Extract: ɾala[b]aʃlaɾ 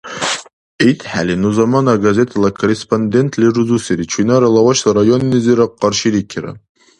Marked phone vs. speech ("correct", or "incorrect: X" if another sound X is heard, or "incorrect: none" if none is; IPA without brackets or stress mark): incorrect: w